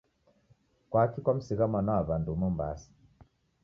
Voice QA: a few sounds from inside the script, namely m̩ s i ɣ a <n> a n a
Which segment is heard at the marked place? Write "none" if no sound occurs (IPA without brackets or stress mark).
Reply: m